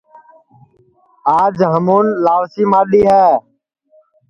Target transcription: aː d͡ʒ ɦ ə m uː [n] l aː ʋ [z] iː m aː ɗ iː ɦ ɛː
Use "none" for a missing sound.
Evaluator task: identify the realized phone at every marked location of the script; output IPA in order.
n, s

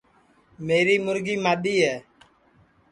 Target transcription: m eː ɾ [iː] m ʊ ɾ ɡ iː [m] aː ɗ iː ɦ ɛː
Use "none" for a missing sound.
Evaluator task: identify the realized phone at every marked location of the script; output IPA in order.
iː, m

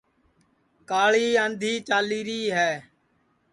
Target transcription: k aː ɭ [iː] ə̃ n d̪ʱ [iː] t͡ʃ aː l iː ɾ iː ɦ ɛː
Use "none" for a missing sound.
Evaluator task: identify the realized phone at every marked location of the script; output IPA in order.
iː, iː

